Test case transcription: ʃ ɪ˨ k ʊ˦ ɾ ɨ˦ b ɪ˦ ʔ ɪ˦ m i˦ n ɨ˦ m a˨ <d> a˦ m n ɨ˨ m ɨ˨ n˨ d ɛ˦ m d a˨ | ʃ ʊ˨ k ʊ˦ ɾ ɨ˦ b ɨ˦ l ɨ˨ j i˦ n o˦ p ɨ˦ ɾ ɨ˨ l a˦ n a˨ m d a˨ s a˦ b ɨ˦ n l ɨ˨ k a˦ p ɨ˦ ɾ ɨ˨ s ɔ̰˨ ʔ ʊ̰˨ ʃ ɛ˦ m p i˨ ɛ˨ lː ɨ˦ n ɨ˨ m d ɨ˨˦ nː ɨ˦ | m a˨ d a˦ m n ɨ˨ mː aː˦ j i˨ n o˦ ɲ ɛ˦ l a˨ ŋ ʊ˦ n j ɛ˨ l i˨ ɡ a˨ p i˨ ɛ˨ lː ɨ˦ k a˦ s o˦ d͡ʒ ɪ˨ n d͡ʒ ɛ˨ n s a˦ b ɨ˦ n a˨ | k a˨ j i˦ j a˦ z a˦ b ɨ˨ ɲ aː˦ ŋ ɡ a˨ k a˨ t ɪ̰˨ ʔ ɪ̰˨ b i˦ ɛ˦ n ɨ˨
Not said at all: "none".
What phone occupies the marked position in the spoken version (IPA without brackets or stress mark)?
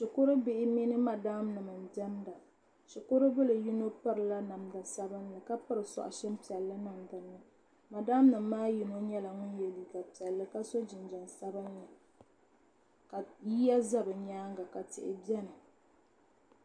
d